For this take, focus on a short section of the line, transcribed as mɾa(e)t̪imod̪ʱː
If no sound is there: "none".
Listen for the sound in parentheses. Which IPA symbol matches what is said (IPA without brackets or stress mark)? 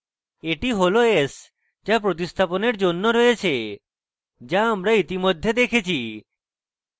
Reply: i